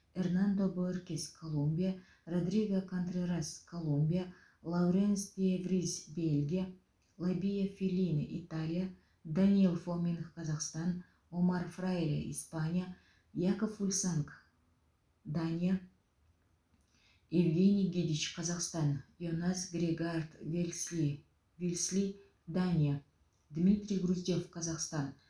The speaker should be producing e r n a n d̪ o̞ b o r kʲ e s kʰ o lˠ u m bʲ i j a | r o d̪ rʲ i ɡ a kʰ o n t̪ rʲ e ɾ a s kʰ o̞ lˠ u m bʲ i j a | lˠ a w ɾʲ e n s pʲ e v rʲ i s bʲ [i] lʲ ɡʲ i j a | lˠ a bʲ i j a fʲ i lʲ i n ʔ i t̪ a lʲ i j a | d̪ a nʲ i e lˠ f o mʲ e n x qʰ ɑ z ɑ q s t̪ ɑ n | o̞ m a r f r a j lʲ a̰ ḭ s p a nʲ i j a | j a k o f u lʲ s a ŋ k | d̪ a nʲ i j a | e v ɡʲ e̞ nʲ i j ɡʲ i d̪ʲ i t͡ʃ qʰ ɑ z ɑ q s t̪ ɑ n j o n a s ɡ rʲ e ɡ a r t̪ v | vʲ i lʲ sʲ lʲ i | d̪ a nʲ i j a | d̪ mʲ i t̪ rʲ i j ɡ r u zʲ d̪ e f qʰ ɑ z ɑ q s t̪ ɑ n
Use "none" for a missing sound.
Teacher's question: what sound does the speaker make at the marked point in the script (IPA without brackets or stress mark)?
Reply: e